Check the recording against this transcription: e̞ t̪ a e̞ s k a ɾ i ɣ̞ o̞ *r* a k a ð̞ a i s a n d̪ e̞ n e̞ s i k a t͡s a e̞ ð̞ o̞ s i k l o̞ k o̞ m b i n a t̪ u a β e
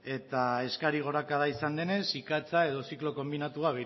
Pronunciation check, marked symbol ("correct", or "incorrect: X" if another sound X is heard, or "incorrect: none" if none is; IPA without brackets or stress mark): incorrect: ɾ